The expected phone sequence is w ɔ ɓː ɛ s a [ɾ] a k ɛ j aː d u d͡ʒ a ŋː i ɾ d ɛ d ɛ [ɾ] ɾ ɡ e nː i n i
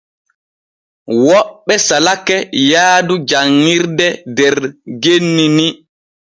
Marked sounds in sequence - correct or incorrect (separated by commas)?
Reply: incorrect, correct